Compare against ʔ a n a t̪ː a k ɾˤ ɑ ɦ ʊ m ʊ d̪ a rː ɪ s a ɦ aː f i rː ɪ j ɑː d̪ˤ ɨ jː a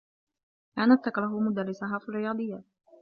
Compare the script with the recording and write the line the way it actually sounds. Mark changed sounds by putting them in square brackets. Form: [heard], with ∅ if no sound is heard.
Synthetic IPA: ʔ a n a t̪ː a k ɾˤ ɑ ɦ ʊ m ʊ d̪ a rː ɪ s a ɦ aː f i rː ɪ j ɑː d̪ˤ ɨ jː a

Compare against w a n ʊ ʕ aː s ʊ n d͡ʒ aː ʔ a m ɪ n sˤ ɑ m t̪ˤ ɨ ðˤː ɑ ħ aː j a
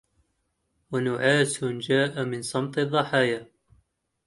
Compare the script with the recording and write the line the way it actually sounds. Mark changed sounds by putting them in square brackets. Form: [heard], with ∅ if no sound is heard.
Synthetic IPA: w a n ʊ ʕ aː s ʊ n d͡ʒ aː ʔ a m ɪ n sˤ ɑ m t̪ˤ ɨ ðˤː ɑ ħ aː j a

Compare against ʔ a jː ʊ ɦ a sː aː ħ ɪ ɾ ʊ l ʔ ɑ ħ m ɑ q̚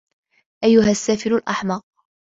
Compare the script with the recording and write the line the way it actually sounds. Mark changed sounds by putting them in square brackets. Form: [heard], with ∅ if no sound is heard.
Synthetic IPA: ʔ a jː ʊ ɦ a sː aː [f] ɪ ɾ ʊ l ʔ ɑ ħ m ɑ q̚

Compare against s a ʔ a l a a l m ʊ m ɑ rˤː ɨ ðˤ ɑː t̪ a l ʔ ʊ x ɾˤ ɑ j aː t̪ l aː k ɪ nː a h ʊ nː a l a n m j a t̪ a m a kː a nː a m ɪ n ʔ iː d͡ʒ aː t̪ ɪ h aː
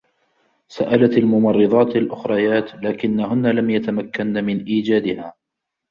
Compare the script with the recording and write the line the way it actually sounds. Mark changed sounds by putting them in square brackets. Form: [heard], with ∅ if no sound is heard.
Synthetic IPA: s a ʔ a l a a l m ʊ m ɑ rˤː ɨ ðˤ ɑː t̪ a l ʔ ʊ x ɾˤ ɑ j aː t̪ l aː k ɪ nː a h ʊ nː a l a [∅] m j a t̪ a m a kː a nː a m ɪ n ʔ iː d͡ʒ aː [d̪] ɪ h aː

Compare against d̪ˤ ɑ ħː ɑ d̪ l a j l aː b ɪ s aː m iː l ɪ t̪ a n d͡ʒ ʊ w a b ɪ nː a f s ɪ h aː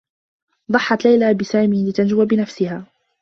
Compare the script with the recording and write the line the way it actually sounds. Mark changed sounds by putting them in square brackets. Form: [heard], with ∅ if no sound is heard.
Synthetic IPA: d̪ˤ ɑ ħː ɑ [t̪] l a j l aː b ɪ s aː m iː l ɪ t̪ a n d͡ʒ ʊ w a b ɪ [n] a f s ɪ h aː

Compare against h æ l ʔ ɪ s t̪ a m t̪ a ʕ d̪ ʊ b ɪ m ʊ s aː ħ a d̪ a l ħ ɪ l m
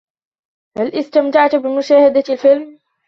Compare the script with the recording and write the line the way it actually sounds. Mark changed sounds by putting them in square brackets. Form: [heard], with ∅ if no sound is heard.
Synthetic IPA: h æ l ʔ ɪ s t̪ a m t̪ a ʕ [t̪] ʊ b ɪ m ʊ [ʃ] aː [h] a d̪ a l [f] ɪ l m

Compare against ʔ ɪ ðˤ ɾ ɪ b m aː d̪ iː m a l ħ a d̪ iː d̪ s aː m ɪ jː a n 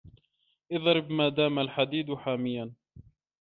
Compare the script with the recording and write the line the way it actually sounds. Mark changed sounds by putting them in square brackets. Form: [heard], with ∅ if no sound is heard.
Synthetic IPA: ʔ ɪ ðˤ ɾ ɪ b m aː d̪ [aː] m a l ħ a d̪ iː d̪ [ħ] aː m ɪ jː a n

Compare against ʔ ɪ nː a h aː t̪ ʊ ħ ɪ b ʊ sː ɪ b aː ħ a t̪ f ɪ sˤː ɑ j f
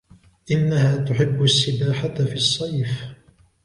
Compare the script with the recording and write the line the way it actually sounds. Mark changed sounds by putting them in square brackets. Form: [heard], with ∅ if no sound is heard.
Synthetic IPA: ʔ ɪ nː a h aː t̪ ʊ ħ ɪ [bː] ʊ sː ɪ b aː ħ a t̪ f [i] sˤː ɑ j f

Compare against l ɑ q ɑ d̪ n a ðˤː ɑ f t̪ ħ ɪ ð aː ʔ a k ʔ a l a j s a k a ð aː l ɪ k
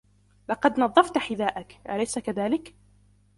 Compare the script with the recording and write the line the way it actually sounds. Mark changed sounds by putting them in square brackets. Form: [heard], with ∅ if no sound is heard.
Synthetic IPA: l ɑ q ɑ d̪ n [ɑ] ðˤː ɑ f t̪ ħ ɪ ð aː ʔ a k ʔ a l a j s a k a ð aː l ɪ k

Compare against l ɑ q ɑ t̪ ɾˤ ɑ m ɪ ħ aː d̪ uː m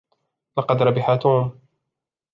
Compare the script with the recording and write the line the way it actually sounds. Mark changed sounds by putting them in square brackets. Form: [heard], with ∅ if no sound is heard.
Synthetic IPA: l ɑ q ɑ [d̪] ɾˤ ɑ [b] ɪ ħ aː [t̪] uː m

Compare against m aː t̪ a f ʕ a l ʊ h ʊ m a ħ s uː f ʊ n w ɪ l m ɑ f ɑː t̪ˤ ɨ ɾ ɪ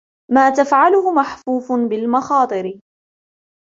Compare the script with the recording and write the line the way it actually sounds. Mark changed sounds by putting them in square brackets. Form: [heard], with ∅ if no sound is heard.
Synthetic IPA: m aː t̪ a f ʕ a l ʊ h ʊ m a ħ [f] uː f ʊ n [b] ɪ l m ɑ [x] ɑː t̪ˤ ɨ ɾ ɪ

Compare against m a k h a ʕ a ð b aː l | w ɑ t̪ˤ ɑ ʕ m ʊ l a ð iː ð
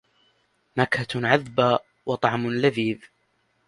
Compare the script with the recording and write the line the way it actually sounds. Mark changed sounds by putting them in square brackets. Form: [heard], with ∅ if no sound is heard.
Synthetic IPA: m a k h a ʕ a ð b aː [∅] | w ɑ t̪ˤ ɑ ʕ m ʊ l a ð iː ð

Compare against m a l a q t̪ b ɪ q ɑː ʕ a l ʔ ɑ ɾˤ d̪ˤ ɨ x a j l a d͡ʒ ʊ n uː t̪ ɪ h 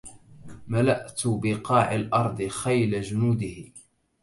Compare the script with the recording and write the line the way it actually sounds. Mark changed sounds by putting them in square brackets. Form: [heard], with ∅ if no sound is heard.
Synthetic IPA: m a l a [ʔ] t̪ b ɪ q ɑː ʕ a l ʔ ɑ ɾˤ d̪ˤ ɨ x a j l a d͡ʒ ʊ n uː [d̪] ɪ h

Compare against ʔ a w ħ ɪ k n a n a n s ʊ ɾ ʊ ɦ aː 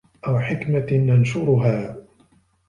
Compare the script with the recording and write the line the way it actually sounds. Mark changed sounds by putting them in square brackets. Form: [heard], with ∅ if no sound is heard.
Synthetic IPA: ʔ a w ħ ɪ k [m] a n a n [ʃ] ʊ ɾ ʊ ɦ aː

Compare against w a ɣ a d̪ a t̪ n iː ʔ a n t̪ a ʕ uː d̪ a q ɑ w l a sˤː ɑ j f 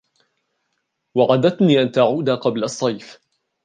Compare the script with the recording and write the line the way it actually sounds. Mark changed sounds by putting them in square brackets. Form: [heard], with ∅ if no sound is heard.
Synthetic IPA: w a [ʕ] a d̪ a t̪ n iː ʔ a n t̪ a ʕ uː d̪ a q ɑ [b] l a sˤː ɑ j f

